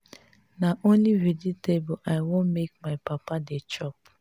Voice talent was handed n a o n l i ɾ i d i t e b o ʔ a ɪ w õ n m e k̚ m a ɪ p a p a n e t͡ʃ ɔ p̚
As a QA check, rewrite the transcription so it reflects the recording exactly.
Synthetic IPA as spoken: n a o n l i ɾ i d i t e b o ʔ a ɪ w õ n m e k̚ m a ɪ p a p a d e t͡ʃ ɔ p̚